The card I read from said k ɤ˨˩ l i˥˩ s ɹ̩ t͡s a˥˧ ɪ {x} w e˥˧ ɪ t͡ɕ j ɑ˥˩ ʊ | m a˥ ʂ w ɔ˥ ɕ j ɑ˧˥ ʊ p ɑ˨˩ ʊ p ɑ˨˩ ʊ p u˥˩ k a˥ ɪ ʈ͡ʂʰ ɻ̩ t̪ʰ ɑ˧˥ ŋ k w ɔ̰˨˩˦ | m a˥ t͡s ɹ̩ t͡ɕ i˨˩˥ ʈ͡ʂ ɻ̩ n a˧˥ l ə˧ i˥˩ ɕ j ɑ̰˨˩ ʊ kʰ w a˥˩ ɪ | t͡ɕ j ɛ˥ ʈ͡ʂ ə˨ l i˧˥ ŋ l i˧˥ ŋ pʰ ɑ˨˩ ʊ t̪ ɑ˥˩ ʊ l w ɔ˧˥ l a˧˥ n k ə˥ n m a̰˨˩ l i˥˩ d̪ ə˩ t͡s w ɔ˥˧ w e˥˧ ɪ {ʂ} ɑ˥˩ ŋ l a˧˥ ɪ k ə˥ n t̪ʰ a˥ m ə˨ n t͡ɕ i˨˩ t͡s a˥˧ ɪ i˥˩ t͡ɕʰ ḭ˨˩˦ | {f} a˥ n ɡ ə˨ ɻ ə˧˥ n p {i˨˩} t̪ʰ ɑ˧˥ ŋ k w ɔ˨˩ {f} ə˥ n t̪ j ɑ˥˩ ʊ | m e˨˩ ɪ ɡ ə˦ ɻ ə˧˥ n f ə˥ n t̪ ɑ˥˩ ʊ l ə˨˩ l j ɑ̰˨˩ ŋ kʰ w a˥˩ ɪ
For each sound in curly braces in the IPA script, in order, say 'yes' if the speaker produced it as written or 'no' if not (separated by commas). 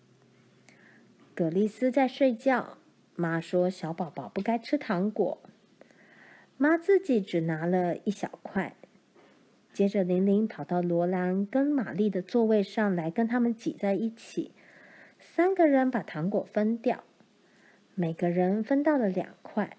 no, yes, no, no, yes